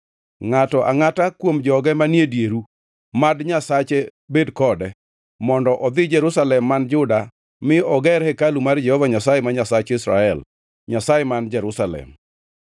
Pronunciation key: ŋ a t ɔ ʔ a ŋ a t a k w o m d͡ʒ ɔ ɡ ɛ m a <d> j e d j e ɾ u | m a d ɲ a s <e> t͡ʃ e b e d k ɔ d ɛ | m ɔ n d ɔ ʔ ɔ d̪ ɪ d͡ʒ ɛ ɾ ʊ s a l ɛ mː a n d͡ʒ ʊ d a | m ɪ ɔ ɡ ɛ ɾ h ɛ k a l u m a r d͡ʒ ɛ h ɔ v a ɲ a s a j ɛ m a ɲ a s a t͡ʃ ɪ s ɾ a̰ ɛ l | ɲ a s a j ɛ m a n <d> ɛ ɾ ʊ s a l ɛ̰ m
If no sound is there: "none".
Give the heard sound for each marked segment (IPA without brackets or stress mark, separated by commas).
n, a, d͡ʒ